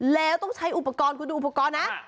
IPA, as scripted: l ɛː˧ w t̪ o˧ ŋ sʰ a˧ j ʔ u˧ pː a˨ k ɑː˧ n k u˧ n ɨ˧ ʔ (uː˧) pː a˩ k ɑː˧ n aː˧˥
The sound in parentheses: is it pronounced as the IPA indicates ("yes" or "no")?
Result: no